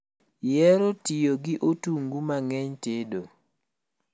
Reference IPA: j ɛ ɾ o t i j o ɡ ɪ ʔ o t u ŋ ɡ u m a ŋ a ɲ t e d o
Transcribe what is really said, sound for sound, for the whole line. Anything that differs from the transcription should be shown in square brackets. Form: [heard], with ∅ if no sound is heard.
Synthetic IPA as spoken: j ɛ ɾ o t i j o ɡ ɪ ʔ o t u ŋ ɡ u m a ŋ [ɛ] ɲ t e d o

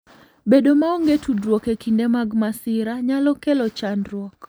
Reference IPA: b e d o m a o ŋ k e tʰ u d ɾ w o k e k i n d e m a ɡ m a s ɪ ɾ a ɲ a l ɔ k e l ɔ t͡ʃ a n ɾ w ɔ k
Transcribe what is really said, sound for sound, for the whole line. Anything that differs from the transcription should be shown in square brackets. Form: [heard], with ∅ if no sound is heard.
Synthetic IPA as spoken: b e d o m a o ŋ [ɡ] e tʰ u d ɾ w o k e k i n d e m a ɡ m a s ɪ ɾ a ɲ a l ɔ k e l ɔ t͡ʃ a n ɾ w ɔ k

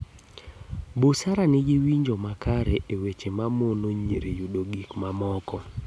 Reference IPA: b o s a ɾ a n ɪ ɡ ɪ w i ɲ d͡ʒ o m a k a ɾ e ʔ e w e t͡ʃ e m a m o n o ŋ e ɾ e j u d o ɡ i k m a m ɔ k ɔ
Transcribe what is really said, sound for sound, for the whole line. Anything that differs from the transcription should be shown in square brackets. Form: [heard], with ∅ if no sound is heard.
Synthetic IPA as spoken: b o s a ɾ a n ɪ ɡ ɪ w i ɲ d͡ʒ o m a k a ɾ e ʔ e w e t͡ʃ e m a m o n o [ɲ] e ɾ e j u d o ɡ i k m a m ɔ k ɔ

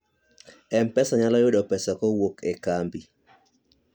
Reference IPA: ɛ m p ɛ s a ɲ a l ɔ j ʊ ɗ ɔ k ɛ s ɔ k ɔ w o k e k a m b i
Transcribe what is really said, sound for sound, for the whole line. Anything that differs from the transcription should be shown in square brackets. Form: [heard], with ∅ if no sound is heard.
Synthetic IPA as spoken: ɛ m p ɛ s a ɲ a l ɔ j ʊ ɗ ɔ [p] ɛ s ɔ k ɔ w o k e k a m b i

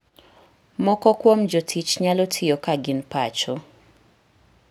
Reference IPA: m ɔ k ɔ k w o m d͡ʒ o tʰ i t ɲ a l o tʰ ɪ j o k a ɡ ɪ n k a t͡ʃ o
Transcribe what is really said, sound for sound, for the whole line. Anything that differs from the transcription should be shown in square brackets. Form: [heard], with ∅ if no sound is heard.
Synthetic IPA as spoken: m ɔ k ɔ k w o m d͡ʒ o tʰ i [t͡ʃ] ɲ a l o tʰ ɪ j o k a ɡ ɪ n [p] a t͡ʃ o

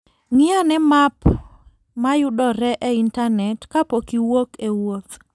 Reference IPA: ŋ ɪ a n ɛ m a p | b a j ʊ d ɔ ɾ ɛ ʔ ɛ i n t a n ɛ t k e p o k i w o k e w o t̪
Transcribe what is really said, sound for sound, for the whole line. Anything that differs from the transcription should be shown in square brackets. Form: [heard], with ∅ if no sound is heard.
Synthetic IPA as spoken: ŋ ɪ a n ɛ m a p | [m] a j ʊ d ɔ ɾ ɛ ʔ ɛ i n t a n ɛ t k [a] p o k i w o k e w o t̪

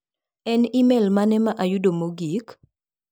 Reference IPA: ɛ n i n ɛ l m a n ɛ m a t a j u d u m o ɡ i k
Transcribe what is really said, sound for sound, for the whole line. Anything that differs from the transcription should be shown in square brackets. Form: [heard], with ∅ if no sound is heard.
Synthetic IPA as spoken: ɛ n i [m] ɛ l m a n ɛ m a [ʔ] a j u d [o] m o ɡ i k

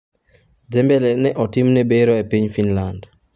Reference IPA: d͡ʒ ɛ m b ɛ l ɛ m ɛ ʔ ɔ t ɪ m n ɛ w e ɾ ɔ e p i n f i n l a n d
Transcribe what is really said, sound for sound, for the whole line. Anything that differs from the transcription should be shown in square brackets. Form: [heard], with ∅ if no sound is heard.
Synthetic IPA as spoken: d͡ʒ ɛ m b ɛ l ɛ [n] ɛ ʔ ɔ t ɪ m n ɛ [b] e ɾ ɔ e p i [ɲ] f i n l a n d

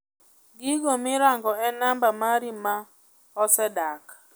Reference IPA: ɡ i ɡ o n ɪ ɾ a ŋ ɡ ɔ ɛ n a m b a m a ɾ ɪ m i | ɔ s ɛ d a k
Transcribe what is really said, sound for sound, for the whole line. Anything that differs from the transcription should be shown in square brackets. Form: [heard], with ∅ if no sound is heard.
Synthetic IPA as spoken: ɡ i ɡ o [m] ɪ ɾ a ŋ ɡ ɔ ɛ n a m b a m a ɾ [i] m [a] | ɔ s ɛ d a k

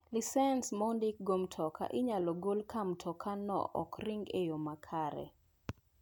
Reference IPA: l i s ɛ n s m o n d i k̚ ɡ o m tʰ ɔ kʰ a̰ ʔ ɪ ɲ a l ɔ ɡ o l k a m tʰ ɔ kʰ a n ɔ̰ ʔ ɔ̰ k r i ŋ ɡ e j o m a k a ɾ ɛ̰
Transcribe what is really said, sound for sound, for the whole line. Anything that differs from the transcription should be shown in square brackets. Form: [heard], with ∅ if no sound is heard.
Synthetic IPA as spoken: l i s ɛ n s m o n d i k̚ ɡ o m tʰ ɔ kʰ a̰ ʔ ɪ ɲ a l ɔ ɡ o l k a m tʰ ɔ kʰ a n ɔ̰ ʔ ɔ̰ k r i ŋ ɡ e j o m a [kʰ] a ɾ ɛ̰

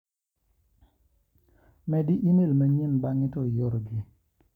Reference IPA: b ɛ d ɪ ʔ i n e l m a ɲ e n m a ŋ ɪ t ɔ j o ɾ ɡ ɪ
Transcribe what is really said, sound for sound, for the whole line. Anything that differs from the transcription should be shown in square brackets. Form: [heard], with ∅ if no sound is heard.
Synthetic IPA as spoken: [m] ɛ d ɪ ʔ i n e l m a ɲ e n [b] a ŋ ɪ t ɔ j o ɾ ɡ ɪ

